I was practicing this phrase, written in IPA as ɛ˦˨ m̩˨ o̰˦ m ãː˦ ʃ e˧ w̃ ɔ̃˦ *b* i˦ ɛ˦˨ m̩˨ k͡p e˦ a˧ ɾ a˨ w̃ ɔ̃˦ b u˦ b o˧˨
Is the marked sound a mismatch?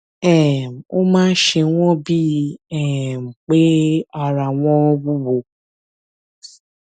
no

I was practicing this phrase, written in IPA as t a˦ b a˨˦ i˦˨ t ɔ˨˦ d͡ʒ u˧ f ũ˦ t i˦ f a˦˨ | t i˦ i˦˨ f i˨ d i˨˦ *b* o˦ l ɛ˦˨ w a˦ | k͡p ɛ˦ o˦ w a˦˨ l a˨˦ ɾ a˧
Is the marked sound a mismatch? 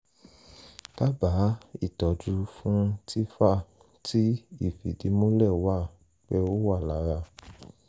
yes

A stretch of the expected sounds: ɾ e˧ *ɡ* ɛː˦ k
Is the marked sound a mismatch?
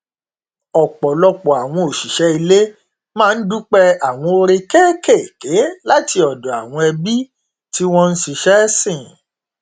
yes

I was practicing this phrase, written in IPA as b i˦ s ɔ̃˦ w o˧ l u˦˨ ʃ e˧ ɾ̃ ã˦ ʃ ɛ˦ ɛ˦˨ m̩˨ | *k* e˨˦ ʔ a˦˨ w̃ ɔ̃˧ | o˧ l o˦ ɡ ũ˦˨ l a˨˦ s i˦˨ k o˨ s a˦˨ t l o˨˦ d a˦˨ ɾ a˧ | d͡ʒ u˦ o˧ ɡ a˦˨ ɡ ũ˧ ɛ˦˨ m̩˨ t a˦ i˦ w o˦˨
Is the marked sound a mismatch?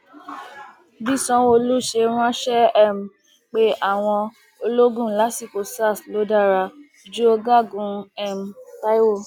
yes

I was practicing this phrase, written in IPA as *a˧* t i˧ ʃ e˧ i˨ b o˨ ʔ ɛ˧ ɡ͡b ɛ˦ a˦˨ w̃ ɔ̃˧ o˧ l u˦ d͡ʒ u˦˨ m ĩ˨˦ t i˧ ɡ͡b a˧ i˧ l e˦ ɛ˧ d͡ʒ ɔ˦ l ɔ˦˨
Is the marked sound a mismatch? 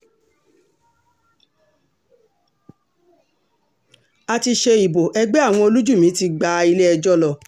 no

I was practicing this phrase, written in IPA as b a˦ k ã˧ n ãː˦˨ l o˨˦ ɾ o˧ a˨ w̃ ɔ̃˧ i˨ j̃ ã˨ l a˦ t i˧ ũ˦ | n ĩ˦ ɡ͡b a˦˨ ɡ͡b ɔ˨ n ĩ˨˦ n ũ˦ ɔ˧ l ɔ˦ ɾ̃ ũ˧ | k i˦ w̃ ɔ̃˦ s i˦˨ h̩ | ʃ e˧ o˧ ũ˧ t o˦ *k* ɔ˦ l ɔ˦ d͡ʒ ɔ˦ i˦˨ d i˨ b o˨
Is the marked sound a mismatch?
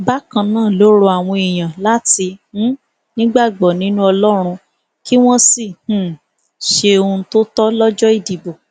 yes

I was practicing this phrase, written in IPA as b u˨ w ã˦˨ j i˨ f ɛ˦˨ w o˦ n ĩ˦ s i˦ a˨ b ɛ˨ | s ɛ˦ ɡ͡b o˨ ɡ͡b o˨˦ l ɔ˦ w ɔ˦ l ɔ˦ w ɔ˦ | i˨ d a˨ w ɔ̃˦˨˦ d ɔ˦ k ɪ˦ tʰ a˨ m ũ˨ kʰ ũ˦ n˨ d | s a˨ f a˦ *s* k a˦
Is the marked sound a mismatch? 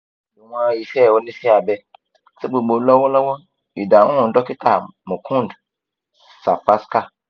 no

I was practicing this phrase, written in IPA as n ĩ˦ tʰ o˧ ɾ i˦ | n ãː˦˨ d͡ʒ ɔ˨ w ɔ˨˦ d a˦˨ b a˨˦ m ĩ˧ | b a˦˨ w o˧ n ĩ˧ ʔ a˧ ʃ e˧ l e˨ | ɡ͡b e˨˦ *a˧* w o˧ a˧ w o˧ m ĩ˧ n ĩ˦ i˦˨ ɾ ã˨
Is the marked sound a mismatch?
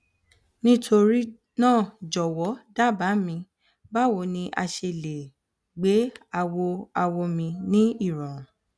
no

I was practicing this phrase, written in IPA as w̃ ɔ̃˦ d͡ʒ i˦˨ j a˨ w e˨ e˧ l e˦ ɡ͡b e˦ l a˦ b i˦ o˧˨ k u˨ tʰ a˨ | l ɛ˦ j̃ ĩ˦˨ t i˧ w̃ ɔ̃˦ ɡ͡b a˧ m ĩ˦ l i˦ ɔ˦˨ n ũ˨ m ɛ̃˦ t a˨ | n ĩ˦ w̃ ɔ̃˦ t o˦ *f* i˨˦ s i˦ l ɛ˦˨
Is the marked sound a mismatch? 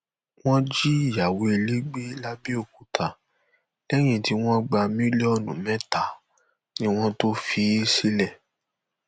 no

